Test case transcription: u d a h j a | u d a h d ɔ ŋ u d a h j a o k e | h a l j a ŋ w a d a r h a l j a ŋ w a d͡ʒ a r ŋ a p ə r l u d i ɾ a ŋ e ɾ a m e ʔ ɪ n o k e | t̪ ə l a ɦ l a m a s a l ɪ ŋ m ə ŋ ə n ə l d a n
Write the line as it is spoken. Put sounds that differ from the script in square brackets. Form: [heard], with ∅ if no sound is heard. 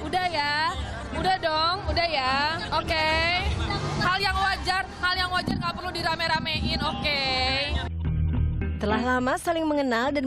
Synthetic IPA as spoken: u d a h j a | u d a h d ɔ ŋ u d a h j a o k e | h a l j a ŋ w a [d͡ʒ] a r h a l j a ŋ w a d͡ʒ a r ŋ a p ə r l u d i ɾ a [m] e ɾ a m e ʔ ɪ n o k e | t̪ ə l a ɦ l a m a s a l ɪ ŋ m ə ŋ ə n [a] l d a n